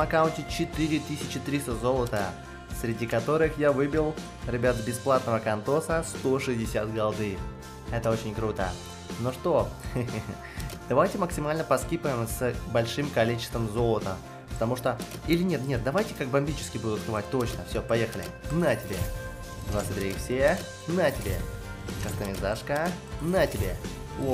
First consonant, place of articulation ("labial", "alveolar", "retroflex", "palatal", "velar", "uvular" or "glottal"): velar